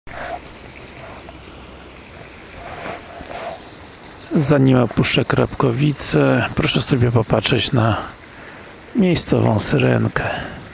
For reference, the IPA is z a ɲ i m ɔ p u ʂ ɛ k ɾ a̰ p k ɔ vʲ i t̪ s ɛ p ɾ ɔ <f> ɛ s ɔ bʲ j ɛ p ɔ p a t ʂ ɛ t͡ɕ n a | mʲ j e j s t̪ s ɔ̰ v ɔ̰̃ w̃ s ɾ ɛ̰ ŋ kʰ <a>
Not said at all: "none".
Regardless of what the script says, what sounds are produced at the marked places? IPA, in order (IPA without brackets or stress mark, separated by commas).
ʂ, ɛ